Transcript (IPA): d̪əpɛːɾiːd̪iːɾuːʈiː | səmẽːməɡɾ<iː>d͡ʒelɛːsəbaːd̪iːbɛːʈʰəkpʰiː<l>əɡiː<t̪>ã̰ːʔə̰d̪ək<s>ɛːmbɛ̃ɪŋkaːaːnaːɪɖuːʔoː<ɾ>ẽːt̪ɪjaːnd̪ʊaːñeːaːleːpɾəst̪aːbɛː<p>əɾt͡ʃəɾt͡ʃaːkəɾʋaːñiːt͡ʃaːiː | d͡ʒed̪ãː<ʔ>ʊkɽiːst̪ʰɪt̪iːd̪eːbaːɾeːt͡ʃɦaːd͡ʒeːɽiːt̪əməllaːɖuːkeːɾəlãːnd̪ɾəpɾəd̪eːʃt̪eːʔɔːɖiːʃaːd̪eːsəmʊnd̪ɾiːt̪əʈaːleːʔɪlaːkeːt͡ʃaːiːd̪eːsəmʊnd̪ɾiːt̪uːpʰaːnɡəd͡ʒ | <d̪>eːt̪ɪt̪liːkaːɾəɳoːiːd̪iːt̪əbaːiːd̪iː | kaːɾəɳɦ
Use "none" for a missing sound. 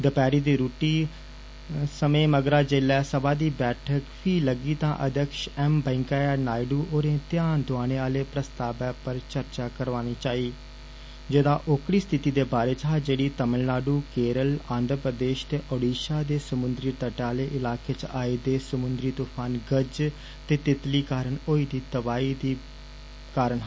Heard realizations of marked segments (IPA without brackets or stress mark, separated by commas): aː, l, t̪, ʃ, ɾ, p, ʔ, t̪